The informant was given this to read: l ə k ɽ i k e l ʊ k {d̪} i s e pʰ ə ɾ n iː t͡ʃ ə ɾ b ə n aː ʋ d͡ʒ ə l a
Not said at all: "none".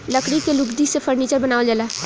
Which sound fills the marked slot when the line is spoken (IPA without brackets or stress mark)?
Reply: d̪